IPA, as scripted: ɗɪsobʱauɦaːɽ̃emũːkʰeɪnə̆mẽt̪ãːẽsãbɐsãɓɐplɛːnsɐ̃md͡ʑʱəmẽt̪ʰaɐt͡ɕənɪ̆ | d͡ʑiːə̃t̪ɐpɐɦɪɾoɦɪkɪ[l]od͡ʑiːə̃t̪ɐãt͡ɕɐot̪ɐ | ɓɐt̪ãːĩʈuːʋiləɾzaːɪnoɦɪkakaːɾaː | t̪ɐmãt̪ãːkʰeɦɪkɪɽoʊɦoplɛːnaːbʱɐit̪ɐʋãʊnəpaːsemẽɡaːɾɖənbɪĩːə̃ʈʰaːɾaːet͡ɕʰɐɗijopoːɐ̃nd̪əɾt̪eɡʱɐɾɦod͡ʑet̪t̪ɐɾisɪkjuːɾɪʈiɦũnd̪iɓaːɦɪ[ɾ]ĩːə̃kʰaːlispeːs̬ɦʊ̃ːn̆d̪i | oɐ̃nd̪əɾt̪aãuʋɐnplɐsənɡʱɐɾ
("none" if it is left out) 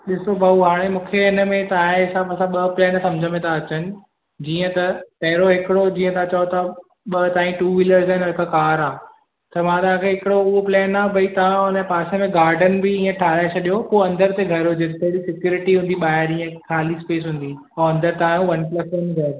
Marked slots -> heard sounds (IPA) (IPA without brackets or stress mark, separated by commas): ɽ, ɾ